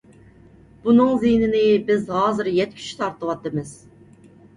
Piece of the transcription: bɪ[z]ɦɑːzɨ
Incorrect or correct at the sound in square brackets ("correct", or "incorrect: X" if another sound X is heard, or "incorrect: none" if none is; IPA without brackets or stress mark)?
correct